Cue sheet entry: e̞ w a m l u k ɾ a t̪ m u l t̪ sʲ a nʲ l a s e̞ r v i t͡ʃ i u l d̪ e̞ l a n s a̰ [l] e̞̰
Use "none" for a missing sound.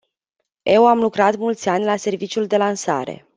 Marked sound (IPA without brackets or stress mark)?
ɾ